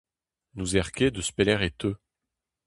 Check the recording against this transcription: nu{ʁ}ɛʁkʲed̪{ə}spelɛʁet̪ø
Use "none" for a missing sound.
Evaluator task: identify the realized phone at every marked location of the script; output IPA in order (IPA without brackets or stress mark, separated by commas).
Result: z, ə